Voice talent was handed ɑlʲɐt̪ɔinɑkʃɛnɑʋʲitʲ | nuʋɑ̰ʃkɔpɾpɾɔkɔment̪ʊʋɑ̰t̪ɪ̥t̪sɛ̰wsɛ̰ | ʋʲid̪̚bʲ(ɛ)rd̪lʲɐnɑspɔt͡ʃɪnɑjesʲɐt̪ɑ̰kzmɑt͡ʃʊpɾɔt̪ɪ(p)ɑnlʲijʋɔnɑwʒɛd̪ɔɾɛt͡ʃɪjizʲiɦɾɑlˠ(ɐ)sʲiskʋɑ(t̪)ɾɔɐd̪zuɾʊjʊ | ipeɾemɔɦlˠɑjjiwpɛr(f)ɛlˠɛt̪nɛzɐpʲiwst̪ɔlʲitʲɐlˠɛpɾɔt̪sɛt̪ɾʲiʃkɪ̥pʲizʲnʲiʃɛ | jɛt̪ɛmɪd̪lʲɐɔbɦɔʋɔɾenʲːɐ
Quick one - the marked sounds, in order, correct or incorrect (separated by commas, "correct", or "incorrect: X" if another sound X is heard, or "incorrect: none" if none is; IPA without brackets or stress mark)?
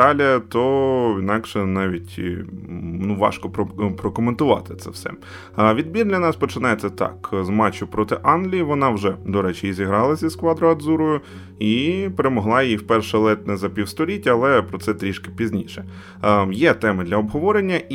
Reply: incorrect: i, incorrect: ʔ, correct, incorrect: d̪, incorrect: ʃ